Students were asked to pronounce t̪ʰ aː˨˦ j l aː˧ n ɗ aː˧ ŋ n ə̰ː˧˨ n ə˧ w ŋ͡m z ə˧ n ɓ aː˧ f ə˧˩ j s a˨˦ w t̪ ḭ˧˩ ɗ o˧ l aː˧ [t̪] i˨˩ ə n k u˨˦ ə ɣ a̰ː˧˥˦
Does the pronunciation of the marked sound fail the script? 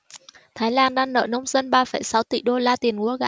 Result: no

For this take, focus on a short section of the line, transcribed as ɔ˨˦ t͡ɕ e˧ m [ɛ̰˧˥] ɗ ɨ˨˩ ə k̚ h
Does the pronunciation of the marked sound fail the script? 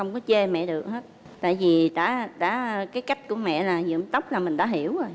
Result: yes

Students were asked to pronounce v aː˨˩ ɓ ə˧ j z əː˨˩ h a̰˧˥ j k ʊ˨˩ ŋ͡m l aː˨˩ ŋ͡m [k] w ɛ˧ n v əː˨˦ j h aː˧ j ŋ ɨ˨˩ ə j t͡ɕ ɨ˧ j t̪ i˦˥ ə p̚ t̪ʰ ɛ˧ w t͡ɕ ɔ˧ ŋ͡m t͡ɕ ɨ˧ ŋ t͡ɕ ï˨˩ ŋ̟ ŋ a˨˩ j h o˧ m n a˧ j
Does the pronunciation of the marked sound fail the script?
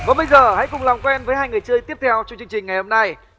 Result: no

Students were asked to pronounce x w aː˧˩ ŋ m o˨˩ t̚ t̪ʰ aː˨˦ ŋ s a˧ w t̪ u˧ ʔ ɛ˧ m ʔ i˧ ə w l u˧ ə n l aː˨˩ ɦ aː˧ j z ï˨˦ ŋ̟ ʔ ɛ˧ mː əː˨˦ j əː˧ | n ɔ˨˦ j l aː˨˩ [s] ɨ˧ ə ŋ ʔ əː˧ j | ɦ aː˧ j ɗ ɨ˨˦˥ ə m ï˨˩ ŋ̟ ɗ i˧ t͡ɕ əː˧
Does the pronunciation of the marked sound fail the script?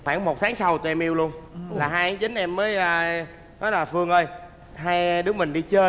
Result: yes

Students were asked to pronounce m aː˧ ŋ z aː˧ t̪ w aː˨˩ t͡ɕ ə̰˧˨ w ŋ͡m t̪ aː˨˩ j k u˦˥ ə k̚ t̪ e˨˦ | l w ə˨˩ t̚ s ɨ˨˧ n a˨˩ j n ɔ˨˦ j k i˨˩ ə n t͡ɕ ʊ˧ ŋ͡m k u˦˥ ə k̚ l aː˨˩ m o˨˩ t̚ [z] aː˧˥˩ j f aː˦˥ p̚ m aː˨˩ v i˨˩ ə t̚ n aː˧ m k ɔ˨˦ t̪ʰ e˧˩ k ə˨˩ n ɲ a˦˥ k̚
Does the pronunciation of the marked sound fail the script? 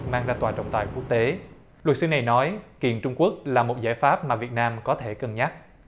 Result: no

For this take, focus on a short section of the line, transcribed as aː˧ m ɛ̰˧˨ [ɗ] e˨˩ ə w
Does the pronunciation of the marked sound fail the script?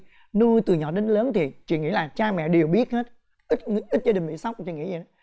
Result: no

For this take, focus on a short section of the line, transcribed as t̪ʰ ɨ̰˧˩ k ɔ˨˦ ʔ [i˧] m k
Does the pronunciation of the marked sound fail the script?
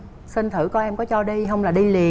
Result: yes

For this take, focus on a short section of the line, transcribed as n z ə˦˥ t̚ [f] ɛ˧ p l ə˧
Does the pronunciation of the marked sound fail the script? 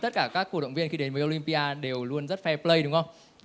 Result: no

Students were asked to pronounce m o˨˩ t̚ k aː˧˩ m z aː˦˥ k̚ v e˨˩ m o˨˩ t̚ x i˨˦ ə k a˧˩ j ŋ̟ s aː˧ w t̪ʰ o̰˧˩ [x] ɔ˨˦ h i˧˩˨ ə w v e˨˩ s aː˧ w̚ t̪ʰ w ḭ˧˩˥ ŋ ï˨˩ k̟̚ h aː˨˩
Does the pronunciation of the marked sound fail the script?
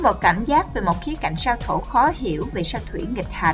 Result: no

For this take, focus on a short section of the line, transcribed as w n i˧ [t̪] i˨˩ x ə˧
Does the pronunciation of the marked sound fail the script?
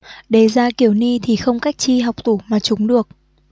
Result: yes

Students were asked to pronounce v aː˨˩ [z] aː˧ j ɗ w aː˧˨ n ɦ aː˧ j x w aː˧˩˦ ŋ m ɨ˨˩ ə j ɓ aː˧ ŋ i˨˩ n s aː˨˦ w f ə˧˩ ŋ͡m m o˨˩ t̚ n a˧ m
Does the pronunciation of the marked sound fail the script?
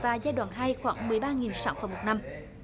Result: no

